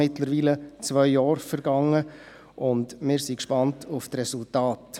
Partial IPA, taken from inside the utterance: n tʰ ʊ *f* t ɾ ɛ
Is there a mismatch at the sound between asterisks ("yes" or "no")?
no